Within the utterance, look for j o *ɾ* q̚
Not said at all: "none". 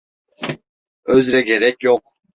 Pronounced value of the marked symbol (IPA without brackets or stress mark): none